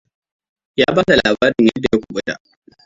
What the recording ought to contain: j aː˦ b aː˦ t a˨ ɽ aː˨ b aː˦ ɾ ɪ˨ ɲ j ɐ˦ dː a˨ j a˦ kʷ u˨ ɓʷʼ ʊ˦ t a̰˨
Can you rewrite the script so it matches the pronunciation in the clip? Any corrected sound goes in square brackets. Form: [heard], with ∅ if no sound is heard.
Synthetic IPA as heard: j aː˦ b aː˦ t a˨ [l] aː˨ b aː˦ ɾ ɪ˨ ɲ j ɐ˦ dː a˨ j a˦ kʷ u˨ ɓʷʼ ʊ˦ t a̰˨